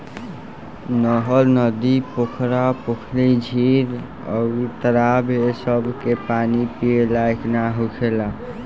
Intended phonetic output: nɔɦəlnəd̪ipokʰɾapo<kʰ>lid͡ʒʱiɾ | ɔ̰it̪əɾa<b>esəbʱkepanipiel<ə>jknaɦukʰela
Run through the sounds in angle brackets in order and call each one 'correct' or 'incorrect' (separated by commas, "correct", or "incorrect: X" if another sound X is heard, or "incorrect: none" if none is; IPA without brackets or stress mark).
correct, correct, incorrect: a